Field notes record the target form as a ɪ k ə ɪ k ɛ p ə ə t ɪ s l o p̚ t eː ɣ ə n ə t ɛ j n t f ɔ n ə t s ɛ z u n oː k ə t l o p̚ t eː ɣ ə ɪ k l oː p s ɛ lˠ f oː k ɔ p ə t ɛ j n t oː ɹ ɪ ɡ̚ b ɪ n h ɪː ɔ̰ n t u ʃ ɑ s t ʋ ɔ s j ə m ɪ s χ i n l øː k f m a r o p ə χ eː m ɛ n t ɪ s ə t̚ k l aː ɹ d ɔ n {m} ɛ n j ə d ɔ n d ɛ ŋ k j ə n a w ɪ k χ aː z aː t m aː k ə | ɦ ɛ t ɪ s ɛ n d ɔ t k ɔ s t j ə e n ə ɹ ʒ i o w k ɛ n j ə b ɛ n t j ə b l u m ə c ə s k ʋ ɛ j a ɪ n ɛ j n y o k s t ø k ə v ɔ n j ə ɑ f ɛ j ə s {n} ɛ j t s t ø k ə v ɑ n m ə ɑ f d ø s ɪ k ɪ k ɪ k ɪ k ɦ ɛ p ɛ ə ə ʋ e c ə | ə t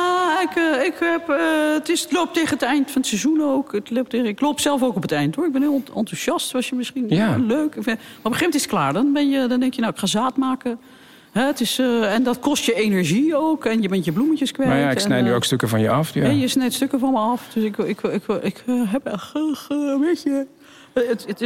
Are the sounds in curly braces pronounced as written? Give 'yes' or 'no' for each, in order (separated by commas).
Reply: no, yes